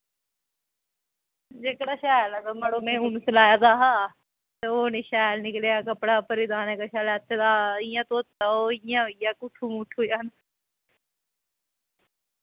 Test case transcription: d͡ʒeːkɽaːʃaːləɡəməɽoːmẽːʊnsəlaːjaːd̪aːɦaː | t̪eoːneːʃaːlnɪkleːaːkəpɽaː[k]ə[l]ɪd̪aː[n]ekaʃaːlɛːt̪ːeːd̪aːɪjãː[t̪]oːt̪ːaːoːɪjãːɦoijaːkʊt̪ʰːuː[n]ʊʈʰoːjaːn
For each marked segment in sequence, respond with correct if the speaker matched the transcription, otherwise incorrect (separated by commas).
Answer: incorrect, incorrect, correct, correct, incorrect